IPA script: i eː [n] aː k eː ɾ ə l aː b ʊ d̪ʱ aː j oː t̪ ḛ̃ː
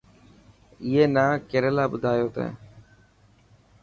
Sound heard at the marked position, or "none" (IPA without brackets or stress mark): n